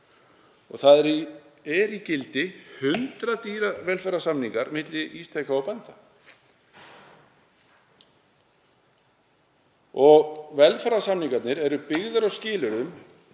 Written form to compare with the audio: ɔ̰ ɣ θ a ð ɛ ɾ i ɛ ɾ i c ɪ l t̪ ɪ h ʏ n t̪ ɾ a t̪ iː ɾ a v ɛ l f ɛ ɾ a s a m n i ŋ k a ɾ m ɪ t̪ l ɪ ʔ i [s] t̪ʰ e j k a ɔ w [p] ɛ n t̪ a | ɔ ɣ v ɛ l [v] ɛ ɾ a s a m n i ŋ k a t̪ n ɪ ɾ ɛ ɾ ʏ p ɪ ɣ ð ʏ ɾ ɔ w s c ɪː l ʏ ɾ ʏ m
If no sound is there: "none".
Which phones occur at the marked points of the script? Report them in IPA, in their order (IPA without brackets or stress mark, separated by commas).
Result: s, p, f